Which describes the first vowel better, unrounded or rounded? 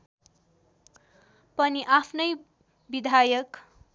unrounded